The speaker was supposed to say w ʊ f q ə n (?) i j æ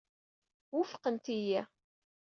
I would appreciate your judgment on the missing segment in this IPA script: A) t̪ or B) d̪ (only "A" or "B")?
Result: A